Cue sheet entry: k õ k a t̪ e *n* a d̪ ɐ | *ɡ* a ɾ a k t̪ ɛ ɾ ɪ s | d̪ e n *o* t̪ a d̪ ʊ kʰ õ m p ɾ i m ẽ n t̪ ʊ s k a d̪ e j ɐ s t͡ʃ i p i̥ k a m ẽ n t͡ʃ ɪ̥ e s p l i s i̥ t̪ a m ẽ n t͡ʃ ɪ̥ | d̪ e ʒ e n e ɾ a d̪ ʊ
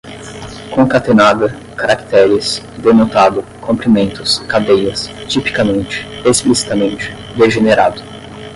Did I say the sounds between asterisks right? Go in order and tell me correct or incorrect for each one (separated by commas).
correct, incorrect, correct